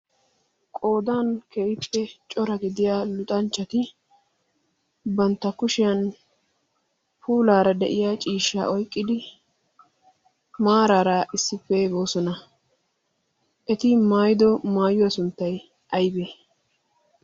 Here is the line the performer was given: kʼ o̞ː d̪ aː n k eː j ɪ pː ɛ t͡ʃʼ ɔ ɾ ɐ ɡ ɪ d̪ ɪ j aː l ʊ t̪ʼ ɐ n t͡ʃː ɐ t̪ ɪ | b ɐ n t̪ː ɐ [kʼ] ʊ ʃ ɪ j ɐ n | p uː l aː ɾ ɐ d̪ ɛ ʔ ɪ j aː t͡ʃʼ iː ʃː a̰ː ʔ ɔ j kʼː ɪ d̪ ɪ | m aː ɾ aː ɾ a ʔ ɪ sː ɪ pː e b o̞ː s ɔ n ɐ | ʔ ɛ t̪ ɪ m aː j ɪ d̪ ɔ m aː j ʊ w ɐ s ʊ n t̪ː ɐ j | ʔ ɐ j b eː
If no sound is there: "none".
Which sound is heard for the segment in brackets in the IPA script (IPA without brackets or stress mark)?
k